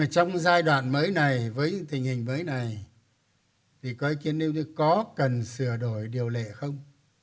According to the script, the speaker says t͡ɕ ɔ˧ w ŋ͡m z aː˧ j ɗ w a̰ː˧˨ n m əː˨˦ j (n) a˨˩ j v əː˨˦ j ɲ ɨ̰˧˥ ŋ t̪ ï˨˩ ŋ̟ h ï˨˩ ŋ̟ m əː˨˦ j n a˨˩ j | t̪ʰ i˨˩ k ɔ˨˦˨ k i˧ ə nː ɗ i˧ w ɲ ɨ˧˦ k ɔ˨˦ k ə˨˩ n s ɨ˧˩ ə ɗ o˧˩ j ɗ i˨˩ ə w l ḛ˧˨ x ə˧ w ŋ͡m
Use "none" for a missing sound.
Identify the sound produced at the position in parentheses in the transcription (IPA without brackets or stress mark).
n